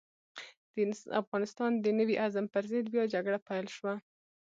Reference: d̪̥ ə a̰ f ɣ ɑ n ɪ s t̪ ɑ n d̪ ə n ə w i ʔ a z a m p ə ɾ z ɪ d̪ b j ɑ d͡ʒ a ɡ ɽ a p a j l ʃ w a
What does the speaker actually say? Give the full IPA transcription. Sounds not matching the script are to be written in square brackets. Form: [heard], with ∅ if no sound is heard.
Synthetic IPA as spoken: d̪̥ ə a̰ f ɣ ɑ n ɪ s t̪ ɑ n d̪ ə n ə w i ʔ a z a m p ə ɾ z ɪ d̪ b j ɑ d͡ʒ a ɡ ɽ a p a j l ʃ w a